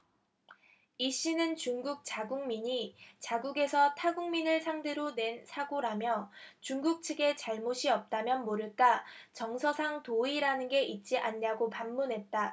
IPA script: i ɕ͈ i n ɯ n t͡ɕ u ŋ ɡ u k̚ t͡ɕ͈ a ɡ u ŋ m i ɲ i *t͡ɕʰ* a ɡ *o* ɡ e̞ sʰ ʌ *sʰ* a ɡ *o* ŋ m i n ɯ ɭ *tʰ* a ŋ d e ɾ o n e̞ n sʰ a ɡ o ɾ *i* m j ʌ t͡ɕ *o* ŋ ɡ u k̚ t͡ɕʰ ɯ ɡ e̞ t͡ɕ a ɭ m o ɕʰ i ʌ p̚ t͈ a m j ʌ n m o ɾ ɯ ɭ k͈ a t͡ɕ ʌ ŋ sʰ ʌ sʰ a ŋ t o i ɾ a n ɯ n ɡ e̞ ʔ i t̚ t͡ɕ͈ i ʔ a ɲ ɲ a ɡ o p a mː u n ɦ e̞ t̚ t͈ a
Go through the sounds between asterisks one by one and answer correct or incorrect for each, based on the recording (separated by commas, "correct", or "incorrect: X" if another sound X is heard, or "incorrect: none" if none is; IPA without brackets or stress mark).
incorrect: t͡ɕ, incorrect: u, incorrect: tʰ, incorrect: u, incorrect: sʰ, incorrect: a, incorrect: u